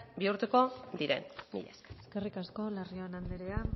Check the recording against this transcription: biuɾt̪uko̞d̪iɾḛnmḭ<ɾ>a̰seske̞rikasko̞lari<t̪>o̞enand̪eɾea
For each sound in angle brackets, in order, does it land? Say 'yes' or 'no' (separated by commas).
no, no